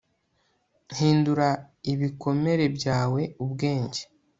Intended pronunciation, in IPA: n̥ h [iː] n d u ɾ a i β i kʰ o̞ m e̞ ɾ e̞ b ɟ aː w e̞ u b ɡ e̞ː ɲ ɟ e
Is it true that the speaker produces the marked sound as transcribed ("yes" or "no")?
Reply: yes